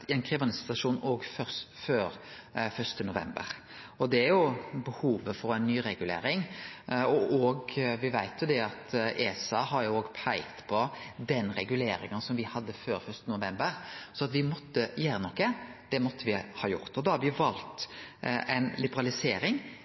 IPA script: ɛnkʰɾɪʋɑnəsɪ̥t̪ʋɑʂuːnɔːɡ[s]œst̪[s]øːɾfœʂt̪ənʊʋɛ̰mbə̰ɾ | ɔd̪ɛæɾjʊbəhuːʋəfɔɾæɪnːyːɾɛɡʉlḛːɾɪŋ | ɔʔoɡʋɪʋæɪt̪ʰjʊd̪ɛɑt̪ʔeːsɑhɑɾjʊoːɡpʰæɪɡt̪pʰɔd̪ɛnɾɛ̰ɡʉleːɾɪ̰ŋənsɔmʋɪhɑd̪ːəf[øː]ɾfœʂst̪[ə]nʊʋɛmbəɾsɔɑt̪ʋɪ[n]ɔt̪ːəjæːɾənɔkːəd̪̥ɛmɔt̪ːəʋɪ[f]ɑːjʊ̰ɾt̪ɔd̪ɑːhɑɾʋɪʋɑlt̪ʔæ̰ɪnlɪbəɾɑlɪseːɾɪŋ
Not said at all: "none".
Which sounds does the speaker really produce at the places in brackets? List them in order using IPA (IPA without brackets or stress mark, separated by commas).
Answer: f, f, øː, ə, m, h